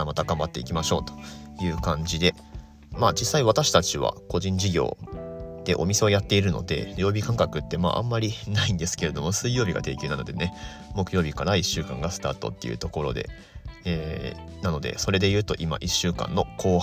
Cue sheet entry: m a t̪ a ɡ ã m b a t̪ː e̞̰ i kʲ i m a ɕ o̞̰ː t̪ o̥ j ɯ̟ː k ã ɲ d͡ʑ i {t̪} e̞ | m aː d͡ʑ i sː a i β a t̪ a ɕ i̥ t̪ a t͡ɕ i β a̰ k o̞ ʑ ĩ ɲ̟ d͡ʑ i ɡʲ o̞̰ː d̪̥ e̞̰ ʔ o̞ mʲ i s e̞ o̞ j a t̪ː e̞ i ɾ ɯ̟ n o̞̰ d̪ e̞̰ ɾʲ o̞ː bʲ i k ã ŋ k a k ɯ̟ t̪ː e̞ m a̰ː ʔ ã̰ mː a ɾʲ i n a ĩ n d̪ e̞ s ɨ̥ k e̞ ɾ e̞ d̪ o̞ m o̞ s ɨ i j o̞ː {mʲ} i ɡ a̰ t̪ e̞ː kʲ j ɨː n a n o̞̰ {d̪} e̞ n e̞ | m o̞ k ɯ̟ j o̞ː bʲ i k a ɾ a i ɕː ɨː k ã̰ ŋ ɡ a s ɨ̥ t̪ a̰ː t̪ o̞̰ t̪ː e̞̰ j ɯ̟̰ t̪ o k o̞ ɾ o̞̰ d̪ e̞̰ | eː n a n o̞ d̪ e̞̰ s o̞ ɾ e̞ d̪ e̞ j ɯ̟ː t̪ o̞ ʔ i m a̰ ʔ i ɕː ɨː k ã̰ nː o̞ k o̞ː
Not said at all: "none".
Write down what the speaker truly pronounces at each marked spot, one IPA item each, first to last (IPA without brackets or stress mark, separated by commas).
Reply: d̪, bʲ, d̪